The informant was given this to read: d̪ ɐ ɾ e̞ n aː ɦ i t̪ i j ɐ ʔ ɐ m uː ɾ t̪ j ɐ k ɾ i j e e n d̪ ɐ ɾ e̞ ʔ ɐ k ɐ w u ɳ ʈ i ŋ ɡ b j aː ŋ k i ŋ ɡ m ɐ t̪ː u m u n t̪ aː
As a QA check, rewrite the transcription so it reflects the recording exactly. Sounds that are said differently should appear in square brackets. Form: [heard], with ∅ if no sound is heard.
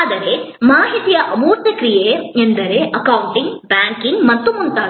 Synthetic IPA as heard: d̪ ɐ ɾ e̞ [m] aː ɦ i t̪ i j ɐ ʔ ɐ m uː ɾ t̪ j ɐ k ɾ i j e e n d̪ ɐ ɾ e̞ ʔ ɐ k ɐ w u ɳ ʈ i ŋ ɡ b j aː ŋ k i ŋ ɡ m ɐ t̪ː u m u n t̪ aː

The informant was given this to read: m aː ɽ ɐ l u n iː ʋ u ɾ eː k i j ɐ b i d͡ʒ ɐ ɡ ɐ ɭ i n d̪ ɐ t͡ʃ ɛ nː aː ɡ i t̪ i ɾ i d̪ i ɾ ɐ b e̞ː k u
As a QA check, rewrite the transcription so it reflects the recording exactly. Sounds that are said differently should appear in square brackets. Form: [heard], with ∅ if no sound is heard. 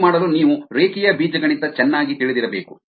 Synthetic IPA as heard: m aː ɽ ɐ l u n iː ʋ u ɾ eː k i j ɐ b [iː] d͡ʒ ɐ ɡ ɐ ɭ i n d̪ ɐ t͡ʃ ɛ nː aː ɡ i t̪ i [ɭ] i d̪ i ɾ ɐ b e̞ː k u

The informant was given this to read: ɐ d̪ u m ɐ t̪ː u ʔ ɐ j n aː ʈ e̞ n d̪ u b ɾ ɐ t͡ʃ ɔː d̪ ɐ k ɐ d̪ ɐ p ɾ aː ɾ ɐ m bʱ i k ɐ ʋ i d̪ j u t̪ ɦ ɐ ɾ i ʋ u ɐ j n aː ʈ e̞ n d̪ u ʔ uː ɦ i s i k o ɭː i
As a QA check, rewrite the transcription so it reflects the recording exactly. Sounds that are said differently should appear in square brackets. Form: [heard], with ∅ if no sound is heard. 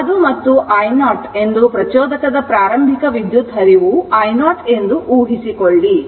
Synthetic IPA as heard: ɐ d̪ u m ɐ t̪ː u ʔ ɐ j n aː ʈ e̞ n d̪ u [p] ɾ ɐ t͡ʃ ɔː d̪ ɐ k ɐ d̪ ɐ p ɾ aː ɾ ɐ m bʱ i k ɐ ʋ i d̪ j u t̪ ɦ ɐ ɾ i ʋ u ɐ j n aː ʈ e̞ n d̪ u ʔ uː ɦ i s i k o ɭː i

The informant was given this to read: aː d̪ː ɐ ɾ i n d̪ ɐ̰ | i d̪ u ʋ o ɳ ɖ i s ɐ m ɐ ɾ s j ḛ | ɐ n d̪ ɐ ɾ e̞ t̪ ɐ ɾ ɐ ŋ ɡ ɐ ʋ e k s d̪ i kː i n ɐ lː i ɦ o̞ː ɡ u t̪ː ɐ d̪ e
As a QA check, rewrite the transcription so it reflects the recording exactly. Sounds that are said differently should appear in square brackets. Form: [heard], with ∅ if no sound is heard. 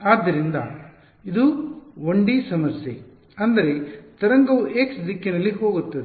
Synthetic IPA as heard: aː d̪ː ɐ ɾ i n d̪ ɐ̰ | i d̪ u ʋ o ɳ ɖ i s ɐ m ɐ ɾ s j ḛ | ɐ n d̪ ɐ ɾ e̞ t̪ ɐ ɾ ɐ ŋ ɡ ɐ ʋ e k s d̪ i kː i n ɐ lː i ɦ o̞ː ɡ u t̪ː ɐ d̪ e

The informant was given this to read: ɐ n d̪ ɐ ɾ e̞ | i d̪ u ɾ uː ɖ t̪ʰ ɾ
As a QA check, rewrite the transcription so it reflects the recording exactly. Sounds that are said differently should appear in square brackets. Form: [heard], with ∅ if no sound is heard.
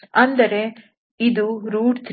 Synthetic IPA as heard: ɐ n d̪ ɐ ɾ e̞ | i d̪ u ɾ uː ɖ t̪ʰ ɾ

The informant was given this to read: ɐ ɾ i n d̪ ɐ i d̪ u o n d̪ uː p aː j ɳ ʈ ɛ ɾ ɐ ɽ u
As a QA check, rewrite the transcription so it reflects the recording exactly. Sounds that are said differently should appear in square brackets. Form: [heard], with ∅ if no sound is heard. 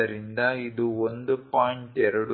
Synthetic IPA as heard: ɐ ɾ i n d̪ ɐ i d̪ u o n d̪ [u] p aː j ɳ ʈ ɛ ɾ ɐ ɽ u

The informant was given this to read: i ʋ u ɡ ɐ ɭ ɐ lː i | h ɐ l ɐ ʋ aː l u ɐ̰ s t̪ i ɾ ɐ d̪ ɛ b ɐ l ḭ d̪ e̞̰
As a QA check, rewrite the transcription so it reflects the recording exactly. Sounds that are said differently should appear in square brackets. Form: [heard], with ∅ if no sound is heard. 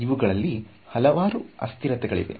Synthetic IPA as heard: i ʋ u ɡ ɐ ɭ ɐ lː i | h ɐ l ɐ ʋ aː [ɾ] u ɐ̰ s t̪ i ɾ ɐ [t̪] ɛ [ɡ] ɐ [ɭ] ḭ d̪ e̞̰

